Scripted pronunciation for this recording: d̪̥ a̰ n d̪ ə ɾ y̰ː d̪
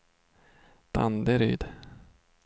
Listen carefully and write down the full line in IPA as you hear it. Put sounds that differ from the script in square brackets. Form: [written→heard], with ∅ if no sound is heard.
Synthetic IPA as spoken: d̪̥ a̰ n d̪ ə ɾ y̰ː d̪